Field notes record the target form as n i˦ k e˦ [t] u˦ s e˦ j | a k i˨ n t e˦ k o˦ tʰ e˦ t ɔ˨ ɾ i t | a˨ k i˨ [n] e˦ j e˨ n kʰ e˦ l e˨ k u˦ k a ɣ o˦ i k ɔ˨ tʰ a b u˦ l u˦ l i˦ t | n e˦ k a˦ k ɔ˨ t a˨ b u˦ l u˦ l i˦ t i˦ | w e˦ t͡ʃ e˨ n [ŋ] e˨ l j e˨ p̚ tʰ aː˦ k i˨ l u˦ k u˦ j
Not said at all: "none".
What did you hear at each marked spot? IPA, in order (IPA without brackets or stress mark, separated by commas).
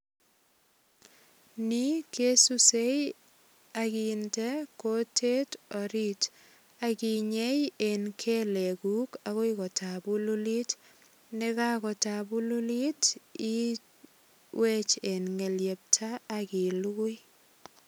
s, ɲ, ŋ